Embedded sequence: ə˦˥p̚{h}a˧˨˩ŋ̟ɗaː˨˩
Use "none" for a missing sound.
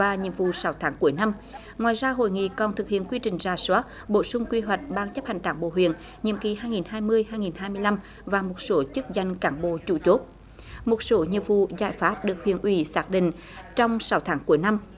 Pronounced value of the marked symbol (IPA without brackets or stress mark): h